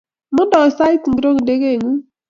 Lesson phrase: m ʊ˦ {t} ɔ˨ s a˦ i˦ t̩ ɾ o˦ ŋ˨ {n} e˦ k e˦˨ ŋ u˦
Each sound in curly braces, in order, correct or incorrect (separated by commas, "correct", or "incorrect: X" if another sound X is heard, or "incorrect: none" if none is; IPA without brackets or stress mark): incorrect: d, incorrect: d